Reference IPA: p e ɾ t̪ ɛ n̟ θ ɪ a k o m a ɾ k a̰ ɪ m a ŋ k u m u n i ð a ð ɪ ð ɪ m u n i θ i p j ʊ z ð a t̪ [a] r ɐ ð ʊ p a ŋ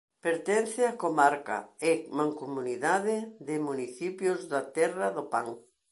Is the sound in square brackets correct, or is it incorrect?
incorrect